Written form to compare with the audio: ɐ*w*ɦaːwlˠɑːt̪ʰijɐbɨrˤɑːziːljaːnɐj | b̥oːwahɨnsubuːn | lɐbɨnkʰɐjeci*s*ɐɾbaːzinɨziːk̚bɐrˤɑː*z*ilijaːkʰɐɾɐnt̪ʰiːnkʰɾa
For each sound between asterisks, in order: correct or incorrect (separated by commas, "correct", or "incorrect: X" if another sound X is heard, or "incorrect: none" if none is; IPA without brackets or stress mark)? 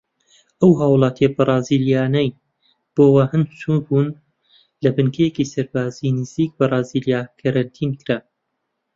correct, correct, correct